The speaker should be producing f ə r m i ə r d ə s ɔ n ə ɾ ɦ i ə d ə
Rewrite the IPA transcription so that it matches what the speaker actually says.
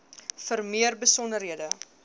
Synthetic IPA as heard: f ə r m i ə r b ə s ɔ n ə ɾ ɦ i ə d ə